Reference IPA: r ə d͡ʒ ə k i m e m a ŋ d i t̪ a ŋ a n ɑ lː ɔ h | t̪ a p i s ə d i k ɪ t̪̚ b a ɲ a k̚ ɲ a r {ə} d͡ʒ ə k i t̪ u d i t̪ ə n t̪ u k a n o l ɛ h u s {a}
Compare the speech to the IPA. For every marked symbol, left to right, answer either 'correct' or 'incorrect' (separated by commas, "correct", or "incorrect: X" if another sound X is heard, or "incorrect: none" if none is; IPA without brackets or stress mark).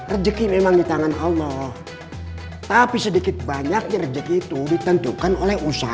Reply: correct, correct